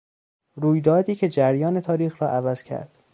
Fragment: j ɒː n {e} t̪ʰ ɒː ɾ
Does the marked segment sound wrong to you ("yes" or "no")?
no